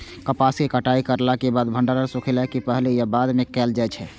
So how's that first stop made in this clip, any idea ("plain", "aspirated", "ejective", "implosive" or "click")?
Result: plain